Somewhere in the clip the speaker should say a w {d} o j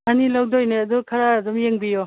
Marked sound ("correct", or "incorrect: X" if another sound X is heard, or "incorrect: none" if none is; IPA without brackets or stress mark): correct